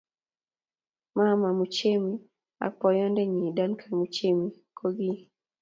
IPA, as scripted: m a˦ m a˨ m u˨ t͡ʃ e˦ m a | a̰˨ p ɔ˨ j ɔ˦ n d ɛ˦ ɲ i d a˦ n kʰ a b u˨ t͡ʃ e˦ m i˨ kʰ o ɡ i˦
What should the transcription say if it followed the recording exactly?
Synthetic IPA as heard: m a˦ m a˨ m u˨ t͡ʃ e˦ m i | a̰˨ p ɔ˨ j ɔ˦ n d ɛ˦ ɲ i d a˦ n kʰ a m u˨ t͡ʃ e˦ m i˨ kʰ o ɡ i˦